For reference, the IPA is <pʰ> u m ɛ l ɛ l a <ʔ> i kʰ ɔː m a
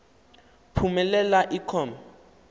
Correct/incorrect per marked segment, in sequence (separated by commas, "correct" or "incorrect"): correct, correct